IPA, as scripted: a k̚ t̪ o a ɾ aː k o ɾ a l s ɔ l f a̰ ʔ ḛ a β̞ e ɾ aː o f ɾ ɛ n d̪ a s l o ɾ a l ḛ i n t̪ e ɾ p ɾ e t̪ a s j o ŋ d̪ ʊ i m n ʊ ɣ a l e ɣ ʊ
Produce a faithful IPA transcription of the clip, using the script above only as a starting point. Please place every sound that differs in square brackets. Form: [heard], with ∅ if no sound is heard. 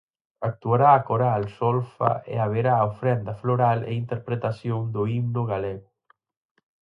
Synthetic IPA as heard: a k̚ t̪ [u] a ɾ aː k o ɾ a l s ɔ l f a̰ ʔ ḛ a β̞ e ɾ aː o f ɾ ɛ n d̪ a [f] l o ɾ a l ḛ i n t̪ e ɾ p ɾ e t̪ a s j o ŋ d̪ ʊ i m n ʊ ɣ a l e ɣ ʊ